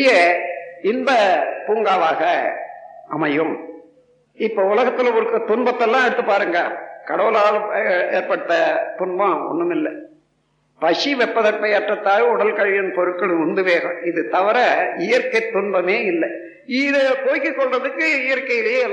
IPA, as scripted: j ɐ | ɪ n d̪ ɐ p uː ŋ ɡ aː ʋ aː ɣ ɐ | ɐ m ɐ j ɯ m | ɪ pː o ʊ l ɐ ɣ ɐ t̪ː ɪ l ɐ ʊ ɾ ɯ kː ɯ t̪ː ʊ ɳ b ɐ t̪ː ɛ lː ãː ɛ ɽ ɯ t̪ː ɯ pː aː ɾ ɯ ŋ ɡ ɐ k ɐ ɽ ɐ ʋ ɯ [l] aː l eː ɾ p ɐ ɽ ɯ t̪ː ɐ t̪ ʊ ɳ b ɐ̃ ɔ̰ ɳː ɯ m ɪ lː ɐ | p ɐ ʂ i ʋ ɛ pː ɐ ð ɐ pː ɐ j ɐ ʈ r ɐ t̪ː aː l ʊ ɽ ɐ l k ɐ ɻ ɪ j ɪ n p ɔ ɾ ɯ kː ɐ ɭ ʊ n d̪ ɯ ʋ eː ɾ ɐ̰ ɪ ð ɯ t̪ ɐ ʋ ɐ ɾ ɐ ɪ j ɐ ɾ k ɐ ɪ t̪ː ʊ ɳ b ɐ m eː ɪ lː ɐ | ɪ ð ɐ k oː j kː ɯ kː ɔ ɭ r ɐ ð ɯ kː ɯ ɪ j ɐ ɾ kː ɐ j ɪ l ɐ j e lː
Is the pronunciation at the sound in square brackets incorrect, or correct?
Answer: correct